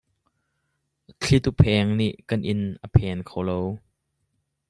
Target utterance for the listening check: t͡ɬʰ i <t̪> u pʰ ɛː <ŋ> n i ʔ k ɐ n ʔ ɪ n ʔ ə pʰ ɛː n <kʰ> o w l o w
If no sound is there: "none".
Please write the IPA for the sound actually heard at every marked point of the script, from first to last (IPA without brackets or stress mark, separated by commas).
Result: t̪, ŋ, kʰ